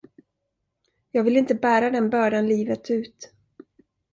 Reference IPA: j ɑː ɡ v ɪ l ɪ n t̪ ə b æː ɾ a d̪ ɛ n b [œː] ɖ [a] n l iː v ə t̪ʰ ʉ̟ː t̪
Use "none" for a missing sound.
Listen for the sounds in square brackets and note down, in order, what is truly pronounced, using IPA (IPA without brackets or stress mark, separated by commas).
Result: œː, a